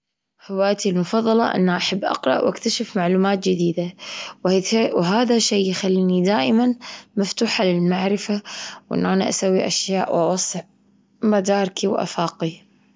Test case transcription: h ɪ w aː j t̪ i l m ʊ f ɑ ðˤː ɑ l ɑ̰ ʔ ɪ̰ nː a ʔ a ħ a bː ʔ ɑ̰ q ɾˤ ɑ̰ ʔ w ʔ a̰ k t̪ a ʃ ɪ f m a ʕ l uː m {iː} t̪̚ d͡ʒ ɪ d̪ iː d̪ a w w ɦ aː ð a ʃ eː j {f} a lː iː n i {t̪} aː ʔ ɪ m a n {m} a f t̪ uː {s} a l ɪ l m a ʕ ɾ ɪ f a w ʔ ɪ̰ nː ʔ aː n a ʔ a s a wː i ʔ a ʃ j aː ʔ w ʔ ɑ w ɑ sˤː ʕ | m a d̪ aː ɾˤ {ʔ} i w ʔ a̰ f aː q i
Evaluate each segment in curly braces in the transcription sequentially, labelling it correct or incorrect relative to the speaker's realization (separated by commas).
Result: incorrect, incorrect, incorrect, correct, incorrect, incorrect